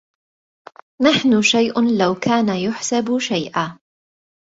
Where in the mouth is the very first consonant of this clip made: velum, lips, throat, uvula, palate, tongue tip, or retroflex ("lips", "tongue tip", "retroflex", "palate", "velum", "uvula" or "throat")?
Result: tongue tip